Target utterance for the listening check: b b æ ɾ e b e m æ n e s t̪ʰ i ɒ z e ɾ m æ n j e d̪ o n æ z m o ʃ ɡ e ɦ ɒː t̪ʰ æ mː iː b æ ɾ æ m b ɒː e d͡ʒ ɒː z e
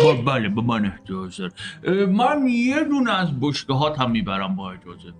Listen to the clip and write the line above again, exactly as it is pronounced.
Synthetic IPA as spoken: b b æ l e b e m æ n e h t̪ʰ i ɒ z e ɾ m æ n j e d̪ u n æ z b o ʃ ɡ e ɦ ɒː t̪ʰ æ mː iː b æ ɾ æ m b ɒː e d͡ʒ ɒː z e